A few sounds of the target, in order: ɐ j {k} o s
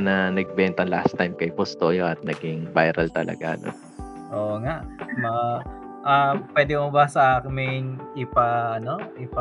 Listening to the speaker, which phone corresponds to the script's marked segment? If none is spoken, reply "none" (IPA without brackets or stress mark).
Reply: p